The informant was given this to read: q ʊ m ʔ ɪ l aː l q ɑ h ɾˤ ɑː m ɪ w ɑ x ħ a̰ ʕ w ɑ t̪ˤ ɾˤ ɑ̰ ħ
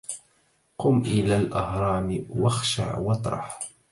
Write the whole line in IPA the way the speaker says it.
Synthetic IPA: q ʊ m ʔ ɪ l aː l ʔ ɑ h ɾˤ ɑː m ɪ w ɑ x ʃ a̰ ʕ w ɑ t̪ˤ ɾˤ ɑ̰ ħ